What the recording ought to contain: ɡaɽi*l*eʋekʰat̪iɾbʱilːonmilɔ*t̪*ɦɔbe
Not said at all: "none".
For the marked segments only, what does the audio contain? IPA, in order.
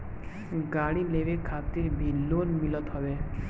l, t̪

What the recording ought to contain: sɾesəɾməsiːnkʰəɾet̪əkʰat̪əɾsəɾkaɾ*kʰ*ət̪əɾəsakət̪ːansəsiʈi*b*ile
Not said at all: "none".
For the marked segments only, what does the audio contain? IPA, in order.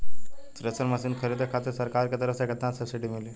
k, m

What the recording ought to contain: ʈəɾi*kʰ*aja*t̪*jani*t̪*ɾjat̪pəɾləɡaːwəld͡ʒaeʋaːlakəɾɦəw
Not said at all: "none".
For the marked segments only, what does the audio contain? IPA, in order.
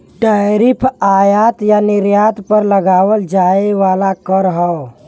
pʰ, t̪, none

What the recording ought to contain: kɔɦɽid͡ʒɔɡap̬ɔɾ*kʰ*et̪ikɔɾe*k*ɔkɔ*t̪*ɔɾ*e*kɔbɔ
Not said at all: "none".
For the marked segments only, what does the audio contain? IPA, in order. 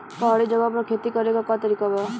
kʰ, k, t̪, i

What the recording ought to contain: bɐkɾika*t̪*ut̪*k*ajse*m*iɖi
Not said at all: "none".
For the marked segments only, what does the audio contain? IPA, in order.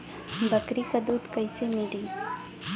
d̪, k, m

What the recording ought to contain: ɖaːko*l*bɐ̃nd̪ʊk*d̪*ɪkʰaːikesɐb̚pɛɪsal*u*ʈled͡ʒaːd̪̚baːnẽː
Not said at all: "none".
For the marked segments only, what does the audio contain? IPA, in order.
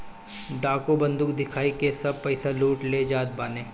none, d̪, uː

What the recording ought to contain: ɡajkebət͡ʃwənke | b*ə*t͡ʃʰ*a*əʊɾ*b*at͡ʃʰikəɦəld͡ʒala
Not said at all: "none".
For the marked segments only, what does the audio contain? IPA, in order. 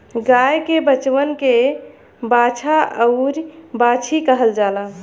a, a, b

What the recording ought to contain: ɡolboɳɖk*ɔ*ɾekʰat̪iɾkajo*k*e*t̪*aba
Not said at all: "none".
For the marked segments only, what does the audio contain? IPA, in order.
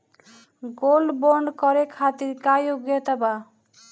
ɔ, ɡ, t̪

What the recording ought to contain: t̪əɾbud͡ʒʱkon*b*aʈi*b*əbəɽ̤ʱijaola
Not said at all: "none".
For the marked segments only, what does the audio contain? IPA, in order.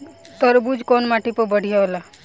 m, p

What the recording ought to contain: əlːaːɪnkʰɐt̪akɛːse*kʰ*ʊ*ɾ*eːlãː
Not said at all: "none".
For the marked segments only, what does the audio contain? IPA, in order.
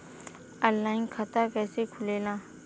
kʰ, l

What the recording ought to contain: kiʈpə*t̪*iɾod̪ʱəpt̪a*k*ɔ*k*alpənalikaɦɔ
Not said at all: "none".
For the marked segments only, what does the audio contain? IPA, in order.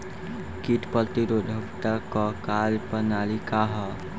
t̪, k, k

